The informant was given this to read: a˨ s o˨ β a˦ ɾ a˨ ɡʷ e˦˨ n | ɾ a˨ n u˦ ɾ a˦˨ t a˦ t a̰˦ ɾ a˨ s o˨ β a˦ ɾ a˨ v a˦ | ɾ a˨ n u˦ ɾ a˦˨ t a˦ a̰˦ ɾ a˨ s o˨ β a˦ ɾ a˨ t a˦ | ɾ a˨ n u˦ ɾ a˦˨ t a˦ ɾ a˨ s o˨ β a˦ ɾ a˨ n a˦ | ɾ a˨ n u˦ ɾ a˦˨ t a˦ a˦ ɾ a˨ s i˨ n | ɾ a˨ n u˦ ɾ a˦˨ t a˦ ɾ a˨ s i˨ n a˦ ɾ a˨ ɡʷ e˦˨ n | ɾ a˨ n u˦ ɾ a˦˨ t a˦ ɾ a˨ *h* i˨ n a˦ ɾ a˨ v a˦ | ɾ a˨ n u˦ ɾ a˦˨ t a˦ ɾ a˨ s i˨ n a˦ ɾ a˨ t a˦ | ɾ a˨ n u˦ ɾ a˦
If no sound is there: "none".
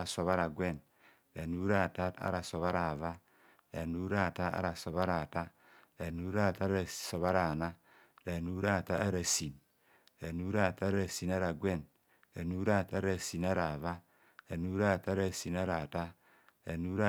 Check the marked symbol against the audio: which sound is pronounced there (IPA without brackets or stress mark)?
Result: s